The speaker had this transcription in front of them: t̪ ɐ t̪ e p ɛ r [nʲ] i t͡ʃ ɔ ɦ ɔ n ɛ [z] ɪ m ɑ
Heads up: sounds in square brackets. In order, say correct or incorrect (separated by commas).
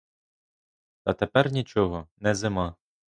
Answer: correct, correct